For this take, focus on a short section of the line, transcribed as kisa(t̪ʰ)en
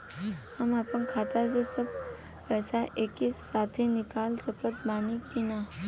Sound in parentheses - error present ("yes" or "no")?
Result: no